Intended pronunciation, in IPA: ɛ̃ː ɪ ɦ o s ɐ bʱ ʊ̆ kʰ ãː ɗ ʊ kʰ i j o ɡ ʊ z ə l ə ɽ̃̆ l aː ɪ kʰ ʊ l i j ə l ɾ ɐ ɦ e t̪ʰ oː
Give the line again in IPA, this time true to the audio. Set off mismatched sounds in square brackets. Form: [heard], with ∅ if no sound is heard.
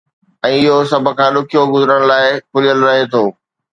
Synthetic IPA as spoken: ɛ̃ː ɪ ɦ o s ɐ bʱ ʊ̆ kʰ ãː ɗ ʊ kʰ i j o ɡ ʊ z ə [ɾ] ə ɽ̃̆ l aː ɪ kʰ ʊ l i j ə l ɾ ɐ ɦ e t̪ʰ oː